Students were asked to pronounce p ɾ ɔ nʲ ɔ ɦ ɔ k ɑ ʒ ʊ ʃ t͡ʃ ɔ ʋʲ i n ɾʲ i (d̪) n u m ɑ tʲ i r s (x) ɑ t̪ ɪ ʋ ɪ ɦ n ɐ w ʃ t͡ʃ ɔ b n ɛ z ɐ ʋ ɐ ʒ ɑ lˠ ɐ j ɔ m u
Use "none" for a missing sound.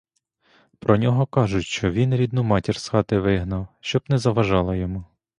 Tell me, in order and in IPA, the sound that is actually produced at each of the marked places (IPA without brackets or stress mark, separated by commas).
d̪, x